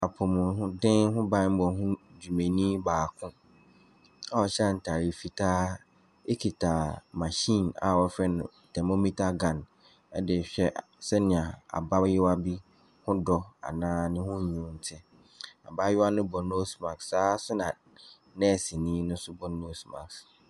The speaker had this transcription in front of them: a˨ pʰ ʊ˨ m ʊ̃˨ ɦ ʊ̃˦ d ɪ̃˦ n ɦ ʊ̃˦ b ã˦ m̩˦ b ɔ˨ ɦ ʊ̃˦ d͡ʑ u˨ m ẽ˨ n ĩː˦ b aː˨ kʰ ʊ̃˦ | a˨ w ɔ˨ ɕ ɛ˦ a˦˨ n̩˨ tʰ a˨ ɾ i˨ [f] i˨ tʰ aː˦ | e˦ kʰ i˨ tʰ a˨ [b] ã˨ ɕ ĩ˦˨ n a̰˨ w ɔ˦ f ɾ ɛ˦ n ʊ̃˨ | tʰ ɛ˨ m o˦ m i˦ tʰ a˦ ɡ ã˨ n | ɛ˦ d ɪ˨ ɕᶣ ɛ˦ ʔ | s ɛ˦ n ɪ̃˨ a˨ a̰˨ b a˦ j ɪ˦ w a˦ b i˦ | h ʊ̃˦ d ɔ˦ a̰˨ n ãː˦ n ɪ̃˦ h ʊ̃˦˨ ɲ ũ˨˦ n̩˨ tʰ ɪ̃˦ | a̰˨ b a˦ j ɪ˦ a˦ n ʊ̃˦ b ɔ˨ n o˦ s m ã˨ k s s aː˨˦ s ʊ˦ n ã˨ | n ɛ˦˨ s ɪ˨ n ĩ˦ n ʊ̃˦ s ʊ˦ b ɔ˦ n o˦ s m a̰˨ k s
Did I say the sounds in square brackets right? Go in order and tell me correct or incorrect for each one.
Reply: correct, incorrect: m

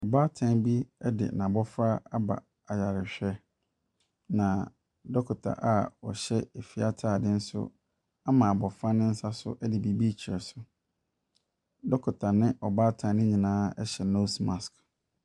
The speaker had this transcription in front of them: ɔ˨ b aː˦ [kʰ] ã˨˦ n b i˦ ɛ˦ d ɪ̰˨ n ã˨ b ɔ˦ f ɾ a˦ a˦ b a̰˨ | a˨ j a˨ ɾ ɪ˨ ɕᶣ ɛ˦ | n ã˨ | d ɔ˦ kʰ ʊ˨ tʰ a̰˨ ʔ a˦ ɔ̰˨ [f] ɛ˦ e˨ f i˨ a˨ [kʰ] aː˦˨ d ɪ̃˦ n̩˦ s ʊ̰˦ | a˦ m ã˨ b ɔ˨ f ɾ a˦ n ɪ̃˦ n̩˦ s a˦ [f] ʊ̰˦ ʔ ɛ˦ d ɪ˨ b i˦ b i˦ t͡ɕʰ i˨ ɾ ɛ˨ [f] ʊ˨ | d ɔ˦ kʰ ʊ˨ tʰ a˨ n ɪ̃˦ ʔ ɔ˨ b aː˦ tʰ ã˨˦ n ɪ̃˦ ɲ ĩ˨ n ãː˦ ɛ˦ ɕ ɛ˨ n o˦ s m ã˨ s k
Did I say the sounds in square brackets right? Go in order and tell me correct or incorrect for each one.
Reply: incorrect: tʰ, incorrect: ɕ, incorrect: tʰ, incorrect: s, incorrect: s

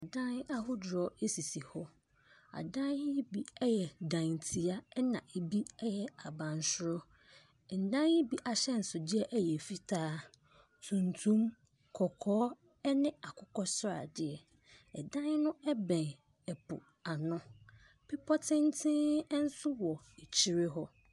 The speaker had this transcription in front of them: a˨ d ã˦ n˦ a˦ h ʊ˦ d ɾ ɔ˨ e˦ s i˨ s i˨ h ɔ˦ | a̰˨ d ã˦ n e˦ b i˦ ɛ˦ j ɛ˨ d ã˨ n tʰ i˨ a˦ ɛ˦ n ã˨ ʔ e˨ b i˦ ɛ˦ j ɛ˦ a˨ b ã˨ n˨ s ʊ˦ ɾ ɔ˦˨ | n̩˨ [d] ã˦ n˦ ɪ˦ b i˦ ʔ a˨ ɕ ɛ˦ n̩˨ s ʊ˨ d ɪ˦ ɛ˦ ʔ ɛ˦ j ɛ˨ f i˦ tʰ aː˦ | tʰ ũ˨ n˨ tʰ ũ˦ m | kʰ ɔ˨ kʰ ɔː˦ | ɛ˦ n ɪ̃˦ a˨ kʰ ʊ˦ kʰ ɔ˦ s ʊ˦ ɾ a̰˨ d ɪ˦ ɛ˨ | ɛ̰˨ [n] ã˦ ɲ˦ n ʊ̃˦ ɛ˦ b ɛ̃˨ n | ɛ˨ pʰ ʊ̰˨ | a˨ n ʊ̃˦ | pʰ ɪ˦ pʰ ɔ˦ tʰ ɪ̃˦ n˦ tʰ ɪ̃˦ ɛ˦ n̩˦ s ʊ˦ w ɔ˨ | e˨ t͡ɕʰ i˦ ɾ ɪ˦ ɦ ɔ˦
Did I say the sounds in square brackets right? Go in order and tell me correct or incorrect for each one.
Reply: correct, incorrect: d

